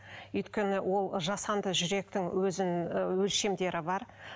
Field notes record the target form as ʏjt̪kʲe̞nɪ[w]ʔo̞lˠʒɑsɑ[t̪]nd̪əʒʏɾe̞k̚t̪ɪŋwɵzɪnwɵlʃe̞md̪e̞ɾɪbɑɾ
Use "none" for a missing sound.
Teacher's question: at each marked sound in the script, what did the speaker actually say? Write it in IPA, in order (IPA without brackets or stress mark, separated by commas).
w, none